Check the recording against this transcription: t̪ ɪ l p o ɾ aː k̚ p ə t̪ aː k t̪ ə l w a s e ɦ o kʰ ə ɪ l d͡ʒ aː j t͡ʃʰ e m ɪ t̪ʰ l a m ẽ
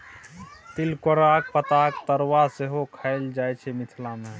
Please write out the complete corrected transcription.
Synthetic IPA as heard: t̪ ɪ l k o ɾ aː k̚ p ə t̪ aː k t̪ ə ɾ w a s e ɦ o kʰ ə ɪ l d͡ʒ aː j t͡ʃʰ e m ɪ t̪ʰ l a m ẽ